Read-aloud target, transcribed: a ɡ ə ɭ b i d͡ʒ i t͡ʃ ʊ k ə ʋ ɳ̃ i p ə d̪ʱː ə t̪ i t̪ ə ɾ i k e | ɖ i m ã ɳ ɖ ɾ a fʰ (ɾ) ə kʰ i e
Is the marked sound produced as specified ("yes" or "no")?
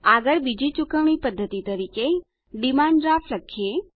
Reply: no